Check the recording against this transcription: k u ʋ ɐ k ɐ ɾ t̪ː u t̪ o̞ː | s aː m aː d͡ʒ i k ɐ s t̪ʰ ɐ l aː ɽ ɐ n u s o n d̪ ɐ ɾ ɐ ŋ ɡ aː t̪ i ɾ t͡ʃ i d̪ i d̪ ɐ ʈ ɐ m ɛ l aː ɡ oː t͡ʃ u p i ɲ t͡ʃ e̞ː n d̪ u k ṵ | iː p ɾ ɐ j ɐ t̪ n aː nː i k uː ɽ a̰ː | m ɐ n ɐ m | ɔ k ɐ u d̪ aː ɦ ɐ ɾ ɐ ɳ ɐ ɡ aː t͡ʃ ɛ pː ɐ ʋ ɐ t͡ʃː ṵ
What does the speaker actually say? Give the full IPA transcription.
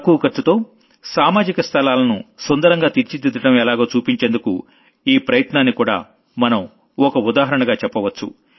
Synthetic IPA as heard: k u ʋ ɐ k ɐ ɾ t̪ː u t̪ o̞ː | s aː m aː d͡ʒ i k ɐ s t̪ʰ ɐ l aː l ɐ n u s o n d̪ ɐ ɾ ɐ ŋ ɡ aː t̪ i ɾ t͡ʃ i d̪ i d̪ ɐ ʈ ɐ m ɛ l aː ɡ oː t͡ʃ uː p i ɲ t͡ʃ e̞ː n d̪ u k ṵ | iː p ɾ ɐ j ɐ t̪ n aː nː i k uː ɽ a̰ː | m ɐ n ɐ m | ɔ k ɐ u d̪ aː ɦ ɐ ɾ ɐ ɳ ɐ ɡ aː t͡ʃ ɛ pː ɐ ʋ ɐ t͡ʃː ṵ